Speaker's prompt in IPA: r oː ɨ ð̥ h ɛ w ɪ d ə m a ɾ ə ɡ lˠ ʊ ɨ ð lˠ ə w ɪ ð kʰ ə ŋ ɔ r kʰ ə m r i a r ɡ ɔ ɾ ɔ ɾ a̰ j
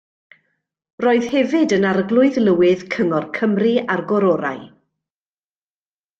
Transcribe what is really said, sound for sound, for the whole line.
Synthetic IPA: r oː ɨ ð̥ h ɛ v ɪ d ə n a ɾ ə ɡ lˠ ʊ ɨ ð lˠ ə w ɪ ð kʰ ə ŋ ɔ r kʰ ə m r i a r ɡ ɔ ɾ ɔ ɾ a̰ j